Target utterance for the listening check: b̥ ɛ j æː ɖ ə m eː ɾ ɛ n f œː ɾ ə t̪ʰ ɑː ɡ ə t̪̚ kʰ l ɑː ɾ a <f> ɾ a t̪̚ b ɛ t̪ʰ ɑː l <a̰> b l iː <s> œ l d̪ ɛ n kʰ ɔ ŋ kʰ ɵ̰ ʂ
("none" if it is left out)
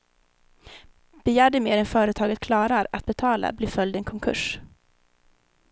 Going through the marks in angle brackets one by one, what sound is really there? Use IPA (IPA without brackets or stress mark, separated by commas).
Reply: none, a̰, f